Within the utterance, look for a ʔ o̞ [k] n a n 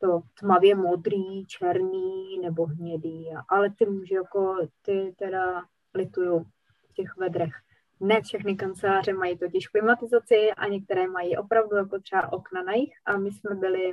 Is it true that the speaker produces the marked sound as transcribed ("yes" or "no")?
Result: yes